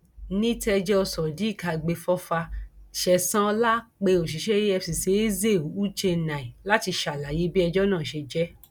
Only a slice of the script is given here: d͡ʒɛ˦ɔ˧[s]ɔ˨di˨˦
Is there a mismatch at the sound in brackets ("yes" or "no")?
no